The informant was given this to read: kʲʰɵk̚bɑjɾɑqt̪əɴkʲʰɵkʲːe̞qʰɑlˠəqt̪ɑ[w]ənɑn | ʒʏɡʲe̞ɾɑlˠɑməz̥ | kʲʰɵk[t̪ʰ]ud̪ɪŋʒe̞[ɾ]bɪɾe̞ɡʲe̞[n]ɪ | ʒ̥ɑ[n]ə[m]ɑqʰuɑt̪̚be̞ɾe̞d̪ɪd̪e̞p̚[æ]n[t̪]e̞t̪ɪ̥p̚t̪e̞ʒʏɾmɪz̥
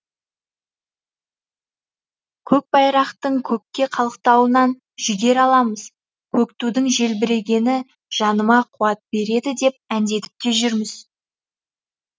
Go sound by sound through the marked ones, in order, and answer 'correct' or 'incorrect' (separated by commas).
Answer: correct, incorrect, incorrect, correct, correct, correct, correct, incorrect